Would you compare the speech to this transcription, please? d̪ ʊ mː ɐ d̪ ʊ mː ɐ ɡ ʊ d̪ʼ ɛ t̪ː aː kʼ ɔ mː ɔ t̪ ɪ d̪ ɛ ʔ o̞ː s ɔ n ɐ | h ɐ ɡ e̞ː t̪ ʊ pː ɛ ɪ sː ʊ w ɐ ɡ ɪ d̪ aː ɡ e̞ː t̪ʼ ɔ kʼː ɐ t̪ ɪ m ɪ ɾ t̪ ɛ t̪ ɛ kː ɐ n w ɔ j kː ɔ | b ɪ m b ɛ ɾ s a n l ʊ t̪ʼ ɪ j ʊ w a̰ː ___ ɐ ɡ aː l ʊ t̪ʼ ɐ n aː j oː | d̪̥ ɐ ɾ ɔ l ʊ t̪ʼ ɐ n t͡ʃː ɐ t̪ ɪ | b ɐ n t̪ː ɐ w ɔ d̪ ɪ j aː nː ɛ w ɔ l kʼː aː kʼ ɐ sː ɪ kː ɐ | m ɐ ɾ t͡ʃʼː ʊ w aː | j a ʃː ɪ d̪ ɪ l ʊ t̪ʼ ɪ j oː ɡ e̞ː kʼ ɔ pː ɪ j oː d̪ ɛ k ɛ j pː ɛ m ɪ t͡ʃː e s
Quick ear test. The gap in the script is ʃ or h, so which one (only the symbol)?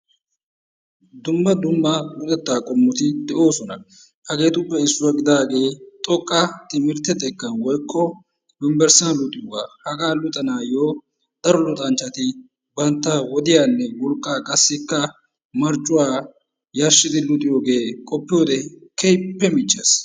h